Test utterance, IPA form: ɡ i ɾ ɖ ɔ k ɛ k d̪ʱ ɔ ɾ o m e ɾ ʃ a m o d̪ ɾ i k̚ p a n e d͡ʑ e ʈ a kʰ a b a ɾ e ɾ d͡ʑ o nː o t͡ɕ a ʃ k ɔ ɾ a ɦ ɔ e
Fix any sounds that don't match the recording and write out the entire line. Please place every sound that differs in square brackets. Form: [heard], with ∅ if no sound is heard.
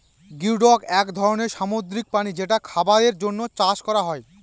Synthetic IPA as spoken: ɡ i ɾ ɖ ɔ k ɛ k d̪ʱ ɔ ɾ o [n] e ɾ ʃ a m o d̪ ɾ i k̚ p a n [i] d͡ʑ e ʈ a kʰ a b a ɾ e ɾ d͡ʑ o nː o t͡ɕ a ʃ k ɔ ɾ a ɦ ɔ e

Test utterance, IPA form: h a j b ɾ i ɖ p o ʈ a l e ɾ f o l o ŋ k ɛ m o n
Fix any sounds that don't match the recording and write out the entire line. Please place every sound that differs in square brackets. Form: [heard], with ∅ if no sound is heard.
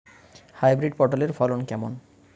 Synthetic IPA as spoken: h a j b ɾ i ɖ p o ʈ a l e ɾ f [ɔ] l o [n] k ɛ m o n

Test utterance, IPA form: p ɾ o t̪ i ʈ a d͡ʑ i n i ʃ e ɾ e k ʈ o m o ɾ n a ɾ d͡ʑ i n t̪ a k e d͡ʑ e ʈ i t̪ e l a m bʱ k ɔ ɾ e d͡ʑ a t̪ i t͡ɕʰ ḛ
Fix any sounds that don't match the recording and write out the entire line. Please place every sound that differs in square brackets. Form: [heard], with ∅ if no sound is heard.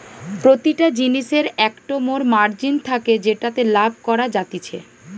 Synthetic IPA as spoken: p ɾ o t̪ i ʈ a d͡ʑ i n i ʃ e ɾ [ɛ] k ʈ o m o ɾ [m] a ɾ d͡ʑ i n [t̪ʰ] a k e d͡ʑ e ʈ [a] t̪ e l a [∅] bʱ k ɔ ɾ [a] d͡ʑ a t̪ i t͡ɕʰ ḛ

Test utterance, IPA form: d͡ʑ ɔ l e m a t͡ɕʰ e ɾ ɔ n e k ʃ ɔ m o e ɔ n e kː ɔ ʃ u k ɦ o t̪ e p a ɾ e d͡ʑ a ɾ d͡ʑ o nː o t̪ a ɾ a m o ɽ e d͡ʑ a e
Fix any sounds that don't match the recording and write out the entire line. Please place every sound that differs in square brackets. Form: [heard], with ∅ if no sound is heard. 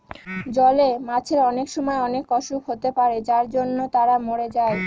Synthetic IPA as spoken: d͡ʑ ɔ l e m a t͡ɕʰ e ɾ ɔ n e k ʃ ɔ m [ɔ] e ɔ n e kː ɔ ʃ u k ɦ o t̪ e p a ɾ e d͡ʑ a ɾ d͡ʑ o nː o t̪ a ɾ a m o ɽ e d͡ʑ a e

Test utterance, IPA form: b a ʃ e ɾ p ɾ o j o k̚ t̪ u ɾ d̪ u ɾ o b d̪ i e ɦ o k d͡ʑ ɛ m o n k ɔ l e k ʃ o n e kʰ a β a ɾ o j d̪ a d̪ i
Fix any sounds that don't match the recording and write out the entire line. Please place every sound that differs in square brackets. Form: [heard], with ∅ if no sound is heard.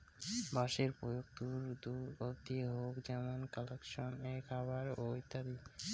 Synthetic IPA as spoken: b a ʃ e ɾ p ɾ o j o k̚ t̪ u ɾ d̪ u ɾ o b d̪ i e ɦ o k d͡ʑ ɛ m o n k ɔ l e k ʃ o n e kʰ a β a ɾ o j [t̪] a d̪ i

